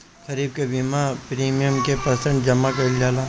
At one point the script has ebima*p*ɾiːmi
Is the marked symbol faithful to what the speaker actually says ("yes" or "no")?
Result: yes